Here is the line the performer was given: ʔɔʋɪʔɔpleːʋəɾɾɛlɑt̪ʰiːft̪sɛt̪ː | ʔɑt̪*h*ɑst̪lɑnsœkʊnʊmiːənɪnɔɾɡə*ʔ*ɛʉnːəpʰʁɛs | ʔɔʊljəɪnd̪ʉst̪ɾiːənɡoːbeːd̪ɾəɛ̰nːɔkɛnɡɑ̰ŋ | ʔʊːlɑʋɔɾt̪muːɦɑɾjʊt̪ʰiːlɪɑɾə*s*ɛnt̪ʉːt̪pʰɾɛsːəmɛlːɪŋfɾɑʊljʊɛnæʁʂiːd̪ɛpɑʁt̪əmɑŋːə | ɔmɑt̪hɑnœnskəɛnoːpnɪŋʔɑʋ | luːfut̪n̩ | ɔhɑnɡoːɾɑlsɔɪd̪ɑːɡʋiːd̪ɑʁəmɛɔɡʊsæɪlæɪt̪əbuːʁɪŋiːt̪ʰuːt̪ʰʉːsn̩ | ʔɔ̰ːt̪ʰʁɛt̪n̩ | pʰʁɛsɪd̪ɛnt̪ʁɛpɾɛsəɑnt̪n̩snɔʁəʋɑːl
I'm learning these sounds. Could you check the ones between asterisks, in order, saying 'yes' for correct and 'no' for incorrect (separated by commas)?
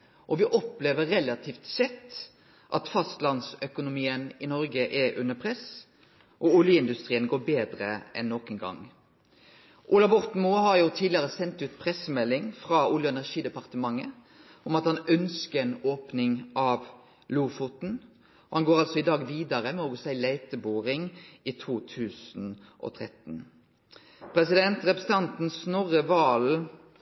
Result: no, yes, yes